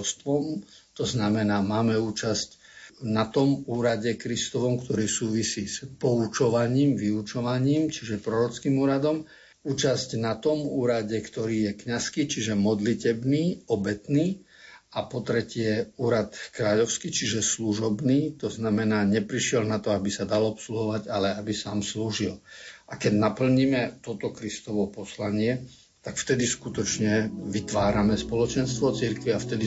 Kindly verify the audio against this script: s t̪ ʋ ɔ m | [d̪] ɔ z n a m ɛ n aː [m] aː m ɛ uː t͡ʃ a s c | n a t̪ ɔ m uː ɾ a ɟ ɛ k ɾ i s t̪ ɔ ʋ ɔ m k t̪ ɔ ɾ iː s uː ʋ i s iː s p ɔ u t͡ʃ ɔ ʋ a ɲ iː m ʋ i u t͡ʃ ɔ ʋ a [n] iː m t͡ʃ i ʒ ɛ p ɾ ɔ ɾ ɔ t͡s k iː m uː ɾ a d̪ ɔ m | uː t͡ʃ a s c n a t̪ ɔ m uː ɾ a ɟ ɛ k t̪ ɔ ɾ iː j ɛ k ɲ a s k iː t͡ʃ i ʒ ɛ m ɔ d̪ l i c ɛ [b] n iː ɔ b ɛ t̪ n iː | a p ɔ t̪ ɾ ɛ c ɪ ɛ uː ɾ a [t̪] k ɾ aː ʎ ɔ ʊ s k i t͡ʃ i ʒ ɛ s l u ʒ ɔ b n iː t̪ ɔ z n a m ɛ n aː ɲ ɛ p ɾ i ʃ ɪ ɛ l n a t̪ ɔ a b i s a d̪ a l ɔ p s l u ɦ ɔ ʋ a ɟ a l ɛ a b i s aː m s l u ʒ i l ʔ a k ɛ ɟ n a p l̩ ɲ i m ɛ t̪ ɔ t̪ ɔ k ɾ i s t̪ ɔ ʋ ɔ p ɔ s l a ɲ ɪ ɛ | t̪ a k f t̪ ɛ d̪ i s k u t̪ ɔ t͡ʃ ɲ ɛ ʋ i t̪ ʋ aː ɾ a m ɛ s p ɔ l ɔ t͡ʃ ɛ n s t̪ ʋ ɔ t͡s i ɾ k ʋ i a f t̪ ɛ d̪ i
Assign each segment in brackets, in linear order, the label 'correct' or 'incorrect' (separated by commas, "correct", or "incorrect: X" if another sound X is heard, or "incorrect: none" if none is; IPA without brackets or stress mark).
incorrect: t̪, correct, incorrect: ɲ, correct, correct